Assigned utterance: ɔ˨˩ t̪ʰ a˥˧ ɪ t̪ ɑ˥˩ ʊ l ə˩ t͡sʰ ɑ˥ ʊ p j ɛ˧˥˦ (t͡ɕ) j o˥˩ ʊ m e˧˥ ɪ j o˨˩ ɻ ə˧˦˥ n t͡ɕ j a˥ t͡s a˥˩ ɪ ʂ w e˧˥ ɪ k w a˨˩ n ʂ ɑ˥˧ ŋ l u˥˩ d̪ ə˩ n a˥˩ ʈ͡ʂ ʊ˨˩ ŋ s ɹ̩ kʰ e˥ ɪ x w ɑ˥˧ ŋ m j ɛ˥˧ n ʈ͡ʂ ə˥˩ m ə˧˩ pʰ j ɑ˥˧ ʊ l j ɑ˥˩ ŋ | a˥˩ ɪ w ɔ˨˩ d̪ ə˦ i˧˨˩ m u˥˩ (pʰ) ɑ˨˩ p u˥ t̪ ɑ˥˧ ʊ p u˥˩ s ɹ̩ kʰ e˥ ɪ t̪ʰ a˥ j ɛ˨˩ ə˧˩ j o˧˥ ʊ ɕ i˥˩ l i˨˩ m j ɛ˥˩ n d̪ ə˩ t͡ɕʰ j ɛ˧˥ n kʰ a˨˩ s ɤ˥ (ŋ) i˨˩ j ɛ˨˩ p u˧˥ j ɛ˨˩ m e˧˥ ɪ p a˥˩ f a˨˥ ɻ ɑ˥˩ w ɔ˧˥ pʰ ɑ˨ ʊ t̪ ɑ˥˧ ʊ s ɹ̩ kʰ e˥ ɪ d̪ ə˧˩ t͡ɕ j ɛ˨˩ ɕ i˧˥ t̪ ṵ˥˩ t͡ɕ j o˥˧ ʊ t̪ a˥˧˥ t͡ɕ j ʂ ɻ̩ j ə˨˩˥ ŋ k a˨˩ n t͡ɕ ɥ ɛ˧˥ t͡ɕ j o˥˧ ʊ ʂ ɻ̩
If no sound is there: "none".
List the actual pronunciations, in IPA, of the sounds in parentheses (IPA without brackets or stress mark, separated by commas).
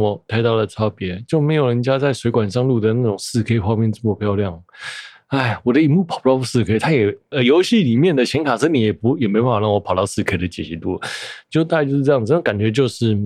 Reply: t͡ɕ, pʰ, n